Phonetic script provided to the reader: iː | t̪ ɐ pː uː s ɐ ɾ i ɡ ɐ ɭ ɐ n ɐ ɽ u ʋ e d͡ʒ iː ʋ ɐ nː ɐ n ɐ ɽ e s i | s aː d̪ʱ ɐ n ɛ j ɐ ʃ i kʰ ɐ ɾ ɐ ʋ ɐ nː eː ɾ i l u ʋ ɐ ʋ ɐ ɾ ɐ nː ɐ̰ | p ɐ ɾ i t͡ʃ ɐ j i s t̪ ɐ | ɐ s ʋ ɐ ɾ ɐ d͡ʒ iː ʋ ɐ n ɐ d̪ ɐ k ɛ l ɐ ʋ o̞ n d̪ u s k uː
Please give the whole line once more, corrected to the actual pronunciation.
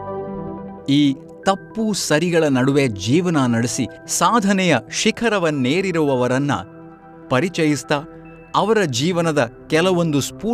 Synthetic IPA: iː | t̪ ɐ pː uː s ɐ ɾ i ɡ ɐ ɭ ɐ n ɐ ɽ u ʋ e d͡ʒ iː ʋ ɐ n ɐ n ɐ ɽ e s i | s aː d̪ʱ ɐ n ɛ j ɐ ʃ i kʰ ɐ ɾ ɐ ʋ ɐ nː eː ɾ i ɾ u ʋ ɐ ʋ ɐ ɾ ɐ nː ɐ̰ | p ɐ ɾ i t͡ʃ ɐ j i s t̪ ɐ | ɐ ʋ ɐ ɾ ɐ d͡ʒ iː ʋ ɐ n ɐ d̪ ɐ k ɛ l ɐ ʋ o̞ n d̪ u s p uː